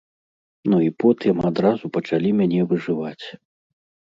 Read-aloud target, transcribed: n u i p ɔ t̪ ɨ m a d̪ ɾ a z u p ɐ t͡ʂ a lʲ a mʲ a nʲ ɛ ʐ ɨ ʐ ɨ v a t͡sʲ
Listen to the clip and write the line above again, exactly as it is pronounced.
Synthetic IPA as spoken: n u i p ɔ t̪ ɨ m a d̪ ɾ a z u p ɐ t͡ʂ a lʲ i mʲ a nʲ ɛ v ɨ ʐ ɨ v a t͡sʲ